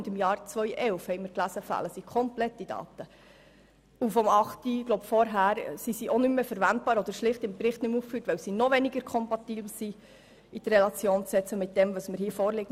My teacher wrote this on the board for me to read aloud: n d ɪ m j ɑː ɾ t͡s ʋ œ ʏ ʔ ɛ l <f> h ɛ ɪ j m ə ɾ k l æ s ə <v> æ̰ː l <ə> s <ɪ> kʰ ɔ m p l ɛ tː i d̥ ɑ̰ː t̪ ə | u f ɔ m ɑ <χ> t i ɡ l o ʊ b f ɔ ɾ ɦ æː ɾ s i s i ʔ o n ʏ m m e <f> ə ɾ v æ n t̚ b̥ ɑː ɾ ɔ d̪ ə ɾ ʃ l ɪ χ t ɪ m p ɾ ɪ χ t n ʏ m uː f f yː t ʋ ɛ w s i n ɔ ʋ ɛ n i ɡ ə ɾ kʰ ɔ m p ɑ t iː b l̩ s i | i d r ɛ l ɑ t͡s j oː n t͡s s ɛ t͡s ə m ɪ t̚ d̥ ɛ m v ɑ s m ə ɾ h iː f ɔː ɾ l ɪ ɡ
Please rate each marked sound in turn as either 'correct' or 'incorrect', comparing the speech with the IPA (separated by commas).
correct, incorrect, correct, incorrect, correct, correct